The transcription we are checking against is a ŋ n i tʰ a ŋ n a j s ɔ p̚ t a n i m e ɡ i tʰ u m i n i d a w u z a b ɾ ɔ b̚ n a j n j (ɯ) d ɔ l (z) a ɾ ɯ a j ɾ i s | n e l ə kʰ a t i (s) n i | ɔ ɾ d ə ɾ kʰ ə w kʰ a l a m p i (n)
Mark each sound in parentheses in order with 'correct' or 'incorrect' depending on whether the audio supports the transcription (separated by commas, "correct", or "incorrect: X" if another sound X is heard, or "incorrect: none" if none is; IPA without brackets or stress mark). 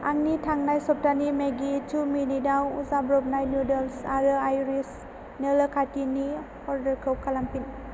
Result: incorrect: u, incorrect: s, incorrect: none, correct